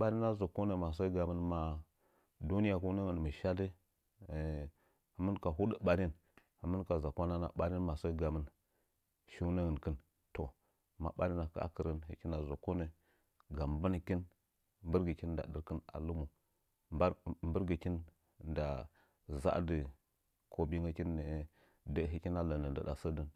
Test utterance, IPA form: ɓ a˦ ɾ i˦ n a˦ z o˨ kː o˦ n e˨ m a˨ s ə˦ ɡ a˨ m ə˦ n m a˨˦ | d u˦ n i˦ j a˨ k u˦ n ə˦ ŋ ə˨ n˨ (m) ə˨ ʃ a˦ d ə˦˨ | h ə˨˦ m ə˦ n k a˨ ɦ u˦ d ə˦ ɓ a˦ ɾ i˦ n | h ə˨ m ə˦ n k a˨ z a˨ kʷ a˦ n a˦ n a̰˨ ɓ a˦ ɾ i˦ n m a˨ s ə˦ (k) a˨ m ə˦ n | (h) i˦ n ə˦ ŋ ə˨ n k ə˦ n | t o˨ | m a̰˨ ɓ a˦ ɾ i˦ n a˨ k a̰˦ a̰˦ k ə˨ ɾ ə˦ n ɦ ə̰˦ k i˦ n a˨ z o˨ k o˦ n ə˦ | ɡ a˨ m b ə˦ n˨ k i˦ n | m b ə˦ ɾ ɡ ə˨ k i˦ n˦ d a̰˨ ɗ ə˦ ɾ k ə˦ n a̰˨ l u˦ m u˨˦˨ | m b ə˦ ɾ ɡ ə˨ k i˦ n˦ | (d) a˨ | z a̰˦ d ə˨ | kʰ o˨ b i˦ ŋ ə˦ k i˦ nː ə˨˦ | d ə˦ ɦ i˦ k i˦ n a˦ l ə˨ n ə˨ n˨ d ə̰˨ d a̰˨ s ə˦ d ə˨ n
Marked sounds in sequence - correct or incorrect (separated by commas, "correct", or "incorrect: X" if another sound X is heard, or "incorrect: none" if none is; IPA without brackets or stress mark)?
correct, incorrect: ɡ, incorrect: ʃ, correct